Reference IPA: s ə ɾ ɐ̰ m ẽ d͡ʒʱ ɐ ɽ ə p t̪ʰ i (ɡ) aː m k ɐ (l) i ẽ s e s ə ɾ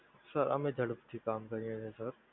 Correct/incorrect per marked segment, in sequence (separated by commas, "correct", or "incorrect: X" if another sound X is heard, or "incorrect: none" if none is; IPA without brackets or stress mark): incorrect: k, incorrect: ɾ